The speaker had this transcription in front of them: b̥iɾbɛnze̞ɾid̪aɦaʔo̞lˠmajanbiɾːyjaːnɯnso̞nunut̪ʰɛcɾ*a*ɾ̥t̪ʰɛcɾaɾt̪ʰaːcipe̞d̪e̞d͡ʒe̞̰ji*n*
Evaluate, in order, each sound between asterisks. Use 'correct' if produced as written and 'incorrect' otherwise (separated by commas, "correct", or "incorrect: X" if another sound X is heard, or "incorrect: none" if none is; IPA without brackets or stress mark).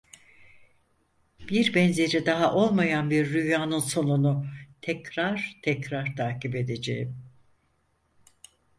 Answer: correct, incorrect: m